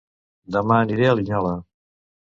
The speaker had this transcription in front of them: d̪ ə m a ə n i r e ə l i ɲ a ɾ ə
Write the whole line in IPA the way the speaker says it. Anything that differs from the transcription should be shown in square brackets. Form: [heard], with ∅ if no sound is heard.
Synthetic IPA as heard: d̪ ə m a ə n i [ɾ] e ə l i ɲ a [l] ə